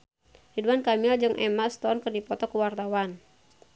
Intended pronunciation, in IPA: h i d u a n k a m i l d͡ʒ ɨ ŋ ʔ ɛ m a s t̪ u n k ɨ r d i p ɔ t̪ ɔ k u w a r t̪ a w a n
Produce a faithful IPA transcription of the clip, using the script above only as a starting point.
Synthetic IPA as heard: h i d u a n k a m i l d͡ʒ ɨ ŋ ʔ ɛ m a s t̪ ɔ n k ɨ r d i p ɔ t̪ ɔ k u w a r t̪ a w a n